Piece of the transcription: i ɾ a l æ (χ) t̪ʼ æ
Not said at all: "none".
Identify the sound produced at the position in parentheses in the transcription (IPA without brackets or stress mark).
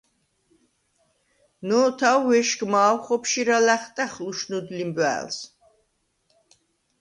χ